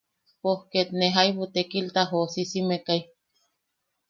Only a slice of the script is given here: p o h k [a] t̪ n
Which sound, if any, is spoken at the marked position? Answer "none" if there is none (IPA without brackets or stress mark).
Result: e